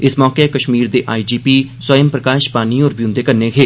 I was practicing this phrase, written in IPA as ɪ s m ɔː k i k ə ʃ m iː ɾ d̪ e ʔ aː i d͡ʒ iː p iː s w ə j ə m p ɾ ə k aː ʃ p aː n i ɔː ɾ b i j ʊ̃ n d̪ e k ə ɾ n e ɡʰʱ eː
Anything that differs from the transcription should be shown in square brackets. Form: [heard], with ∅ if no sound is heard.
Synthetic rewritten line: ɪ s m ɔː k [e] k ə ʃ m iː ɾ d̪ e ʔ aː i d͡ʒ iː p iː s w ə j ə m p ɾ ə k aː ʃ p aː n i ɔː ɾ b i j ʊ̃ n d̪ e k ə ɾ n e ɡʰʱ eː